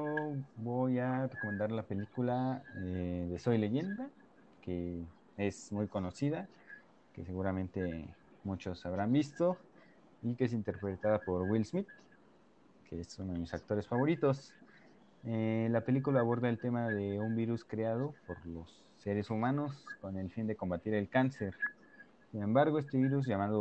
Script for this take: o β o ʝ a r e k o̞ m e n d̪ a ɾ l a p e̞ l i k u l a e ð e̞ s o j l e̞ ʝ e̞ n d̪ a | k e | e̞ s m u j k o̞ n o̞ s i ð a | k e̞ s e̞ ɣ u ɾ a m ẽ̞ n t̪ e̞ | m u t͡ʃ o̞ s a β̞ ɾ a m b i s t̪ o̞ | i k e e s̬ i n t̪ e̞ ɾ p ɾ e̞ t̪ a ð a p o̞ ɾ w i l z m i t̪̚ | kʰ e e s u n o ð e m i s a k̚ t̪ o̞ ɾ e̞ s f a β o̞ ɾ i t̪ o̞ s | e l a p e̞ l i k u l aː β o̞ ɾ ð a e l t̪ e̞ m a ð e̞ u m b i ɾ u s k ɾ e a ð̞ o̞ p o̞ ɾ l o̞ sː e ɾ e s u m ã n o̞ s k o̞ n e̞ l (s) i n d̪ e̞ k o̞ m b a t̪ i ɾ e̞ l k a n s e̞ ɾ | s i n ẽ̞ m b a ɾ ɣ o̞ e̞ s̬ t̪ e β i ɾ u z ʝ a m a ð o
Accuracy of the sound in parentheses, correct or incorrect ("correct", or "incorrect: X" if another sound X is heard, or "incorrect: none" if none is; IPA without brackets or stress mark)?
incorrect: f